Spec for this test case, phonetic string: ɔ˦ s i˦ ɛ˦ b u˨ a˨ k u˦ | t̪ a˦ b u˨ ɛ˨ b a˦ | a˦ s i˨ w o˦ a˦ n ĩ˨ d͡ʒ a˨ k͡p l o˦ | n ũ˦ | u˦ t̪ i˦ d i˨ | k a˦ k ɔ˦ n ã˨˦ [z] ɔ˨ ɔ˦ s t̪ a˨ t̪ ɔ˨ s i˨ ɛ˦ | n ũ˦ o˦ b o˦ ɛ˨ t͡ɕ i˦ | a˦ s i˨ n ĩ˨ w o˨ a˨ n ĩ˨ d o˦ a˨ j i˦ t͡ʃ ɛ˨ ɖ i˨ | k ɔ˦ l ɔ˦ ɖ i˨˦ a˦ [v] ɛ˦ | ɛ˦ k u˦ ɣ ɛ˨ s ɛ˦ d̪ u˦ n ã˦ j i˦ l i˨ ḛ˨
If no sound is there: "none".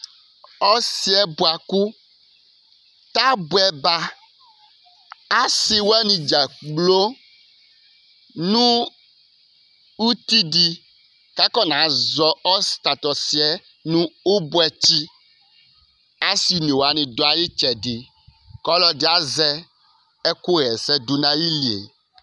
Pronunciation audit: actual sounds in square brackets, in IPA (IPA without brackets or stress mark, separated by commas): z, z